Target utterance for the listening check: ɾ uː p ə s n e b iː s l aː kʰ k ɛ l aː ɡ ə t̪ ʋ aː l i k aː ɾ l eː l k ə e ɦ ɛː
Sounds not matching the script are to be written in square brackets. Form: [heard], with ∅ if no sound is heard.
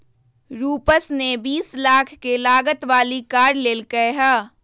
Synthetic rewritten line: ɾ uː p ə s n e b iː s l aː kʰ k [e] l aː ɡ ə t̪ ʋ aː l i k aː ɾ l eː l k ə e ɦ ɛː